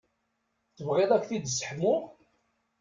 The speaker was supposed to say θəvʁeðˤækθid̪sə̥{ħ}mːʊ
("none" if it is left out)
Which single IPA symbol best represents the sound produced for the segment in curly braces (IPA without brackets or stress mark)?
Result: ħ